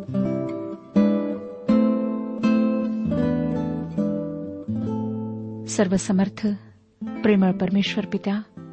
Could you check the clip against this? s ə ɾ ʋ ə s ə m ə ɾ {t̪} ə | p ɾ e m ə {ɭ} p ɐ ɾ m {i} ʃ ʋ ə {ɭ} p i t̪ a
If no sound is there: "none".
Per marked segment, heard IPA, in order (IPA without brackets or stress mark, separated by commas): t̪ʰ, ɭ, e, ɾ